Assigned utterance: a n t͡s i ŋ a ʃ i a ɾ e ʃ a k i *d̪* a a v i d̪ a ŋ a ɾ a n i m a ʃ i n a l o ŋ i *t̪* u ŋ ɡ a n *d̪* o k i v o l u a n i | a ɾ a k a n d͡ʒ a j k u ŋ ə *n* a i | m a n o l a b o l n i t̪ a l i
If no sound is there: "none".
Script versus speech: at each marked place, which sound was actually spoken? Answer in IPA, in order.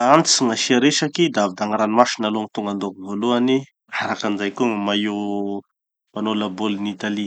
d̪, t̪, d̪, m

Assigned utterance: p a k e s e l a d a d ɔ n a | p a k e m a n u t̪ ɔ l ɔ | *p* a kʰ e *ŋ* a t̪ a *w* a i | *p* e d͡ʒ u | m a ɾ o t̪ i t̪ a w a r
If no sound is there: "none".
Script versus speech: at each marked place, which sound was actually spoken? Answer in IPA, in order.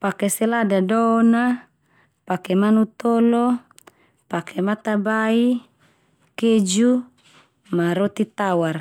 p, m, b, k

